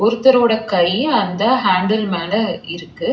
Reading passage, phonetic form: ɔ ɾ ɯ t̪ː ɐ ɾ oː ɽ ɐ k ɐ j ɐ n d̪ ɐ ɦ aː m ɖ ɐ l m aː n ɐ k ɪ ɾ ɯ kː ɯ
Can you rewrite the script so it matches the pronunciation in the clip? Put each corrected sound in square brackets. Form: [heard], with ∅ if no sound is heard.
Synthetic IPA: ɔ ɾ ɯ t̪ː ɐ ɾ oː ɽ ɐ k ɐ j ɐ n d̪ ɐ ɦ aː [ɳ] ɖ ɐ l m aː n ɐ [∅] ɪ ɾ ɯ kː ɯ